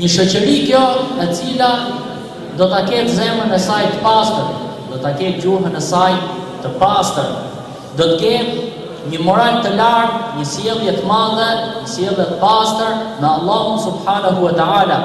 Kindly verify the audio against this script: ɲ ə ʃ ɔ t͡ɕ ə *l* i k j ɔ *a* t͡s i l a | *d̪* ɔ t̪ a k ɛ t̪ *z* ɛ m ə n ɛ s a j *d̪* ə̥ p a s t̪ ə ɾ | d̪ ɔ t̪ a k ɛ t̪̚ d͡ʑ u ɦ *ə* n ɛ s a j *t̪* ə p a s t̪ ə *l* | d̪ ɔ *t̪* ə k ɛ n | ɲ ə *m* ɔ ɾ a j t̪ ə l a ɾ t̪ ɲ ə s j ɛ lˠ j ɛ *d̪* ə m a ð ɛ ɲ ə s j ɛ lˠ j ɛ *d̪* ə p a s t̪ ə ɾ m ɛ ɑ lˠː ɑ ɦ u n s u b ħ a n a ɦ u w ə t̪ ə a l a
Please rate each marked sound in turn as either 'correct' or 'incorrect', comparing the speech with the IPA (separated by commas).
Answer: incorrect, incorrect, correct, correct, incorrect, correct, correct, incorrect, correct, correct, incorrect, incorrect